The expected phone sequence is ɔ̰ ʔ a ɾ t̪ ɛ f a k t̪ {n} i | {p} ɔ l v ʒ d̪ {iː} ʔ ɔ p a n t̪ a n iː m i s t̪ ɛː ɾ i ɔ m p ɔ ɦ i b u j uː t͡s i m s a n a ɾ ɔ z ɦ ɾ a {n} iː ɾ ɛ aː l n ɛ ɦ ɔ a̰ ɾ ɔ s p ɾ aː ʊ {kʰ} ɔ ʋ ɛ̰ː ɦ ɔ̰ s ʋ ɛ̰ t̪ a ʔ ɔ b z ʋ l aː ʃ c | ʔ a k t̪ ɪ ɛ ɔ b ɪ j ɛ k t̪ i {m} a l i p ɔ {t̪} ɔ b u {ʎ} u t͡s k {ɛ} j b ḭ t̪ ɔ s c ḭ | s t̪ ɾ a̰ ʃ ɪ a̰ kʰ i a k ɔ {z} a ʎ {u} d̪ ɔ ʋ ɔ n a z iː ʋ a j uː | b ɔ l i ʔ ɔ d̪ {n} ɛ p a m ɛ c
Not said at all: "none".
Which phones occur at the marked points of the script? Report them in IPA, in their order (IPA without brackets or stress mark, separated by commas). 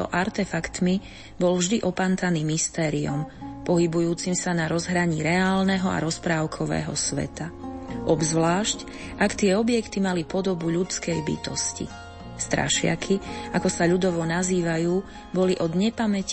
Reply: m, b, i, ɲ, kʰ, m, d̪, ʎ, ɛ, s, u, ɲ